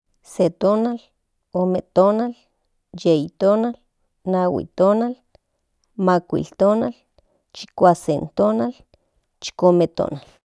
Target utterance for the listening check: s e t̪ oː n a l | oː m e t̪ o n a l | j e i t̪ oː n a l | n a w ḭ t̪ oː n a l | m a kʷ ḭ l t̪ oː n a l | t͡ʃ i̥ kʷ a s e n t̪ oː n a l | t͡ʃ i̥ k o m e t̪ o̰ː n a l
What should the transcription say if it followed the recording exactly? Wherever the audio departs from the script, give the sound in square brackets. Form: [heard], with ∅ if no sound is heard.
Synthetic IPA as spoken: s e t̪ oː n a l | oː m e t̪ o n a l | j e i t̪ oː n a l | n a w ḭ t̪ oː n a l | m a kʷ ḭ l t̪ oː n a l | t͡ʃ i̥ kʷ a s e n t̪ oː n a l | t͡ʃ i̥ k o m e t̪ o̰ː n a l